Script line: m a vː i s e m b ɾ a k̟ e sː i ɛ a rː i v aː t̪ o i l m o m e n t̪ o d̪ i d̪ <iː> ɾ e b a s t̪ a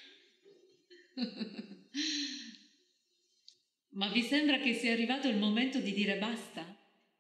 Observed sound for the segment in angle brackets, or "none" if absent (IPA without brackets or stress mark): iː